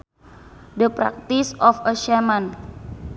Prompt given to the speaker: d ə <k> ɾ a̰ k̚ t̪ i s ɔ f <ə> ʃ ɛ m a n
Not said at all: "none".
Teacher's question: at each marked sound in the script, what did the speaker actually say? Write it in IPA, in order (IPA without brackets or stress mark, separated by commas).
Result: p, ə